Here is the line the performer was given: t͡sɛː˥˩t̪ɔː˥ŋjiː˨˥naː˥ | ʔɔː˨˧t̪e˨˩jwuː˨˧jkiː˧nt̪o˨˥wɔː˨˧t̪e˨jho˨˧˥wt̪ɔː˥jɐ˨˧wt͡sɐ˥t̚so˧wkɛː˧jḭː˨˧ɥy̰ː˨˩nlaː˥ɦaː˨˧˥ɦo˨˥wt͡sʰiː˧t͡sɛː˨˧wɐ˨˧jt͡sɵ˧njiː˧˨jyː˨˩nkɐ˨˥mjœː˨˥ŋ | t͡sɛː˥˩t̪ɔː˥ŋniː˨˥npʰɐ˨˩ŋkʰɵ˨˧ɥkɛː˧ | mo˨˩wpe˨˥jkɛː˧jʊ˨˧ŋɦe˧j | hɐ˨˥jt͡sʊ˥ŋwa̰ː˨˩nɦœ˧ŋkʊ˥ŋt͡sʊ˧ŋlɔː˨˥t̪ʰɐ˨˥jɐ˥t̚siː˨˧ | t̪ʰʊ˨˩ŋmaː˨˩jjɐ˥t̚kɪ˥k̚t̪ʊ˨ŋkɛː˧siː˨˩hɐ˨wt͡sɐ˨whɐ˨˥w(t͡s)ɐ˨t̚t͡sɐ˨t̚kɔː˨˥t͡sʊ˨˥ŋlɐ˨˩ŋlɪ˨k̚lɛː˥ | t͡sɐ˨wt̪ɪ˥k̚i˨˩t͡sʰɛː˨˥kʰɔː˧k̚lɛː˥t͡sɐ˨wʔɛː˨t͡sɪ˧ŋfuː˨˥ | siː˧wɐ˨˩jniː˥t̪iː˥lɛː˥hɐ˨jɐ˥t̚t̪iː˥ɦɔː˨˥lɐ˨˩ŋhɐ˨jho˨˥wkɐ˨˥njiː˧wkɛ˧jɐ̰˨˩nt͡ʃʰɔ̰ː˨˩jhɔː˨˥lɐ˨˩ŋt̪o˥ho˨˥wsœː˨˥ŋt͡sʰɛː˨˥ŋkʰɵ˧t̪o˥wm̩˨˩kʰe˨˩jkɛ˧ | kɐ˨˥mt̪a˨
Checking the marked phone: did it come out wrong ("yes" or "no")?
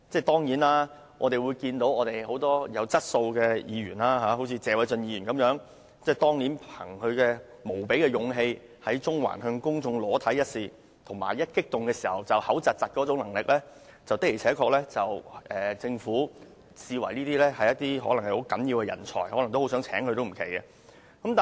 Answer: no